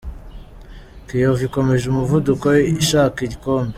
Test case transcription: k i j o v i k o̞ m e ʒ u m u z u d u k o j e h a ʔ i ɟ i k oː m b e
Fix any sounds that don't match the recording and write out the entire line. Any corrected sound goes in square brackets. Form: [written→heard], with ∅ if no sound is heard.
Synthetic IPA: k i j o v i k o̞ m e ʒ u m u [z→v] u d u k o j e [h→ʃ] a [ʔ→k] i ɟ i k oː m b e